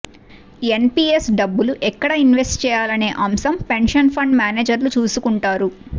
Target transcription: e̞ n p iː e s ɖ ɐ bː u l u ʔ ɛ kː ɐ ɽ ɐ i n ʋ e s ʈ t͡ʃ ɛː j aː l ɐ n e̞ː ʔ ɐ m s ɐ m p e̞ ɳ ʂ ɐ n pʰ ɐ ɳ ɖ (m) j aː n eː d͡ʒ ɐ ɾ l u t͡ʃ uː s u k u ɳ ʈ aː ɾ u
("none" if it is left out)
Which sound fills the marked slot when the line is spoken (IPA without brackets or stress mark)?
m